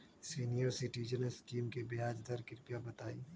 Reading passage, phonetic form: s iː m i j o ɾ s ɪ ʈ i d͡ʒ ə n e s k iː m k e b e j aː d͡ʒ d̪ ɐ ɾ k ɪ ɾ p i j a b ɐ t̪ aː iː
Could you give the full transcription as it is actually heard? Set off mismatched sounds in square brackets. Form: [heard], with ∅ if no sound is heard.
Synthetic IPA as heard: s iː [n] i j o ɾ s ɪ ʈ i d͡ʒ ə n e s k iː m k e b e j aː d͡ʒ d̪ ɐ ɾ k ɪ ɾ p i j a b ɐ t̪ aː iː